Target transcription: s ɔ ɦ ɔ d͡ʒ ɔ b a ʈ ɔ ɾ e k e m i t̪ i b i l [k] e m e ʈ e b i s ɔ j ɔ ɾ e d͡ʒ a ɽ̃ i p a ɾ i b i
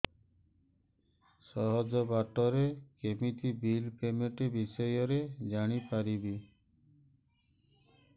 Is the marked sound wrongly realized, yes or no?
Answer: yes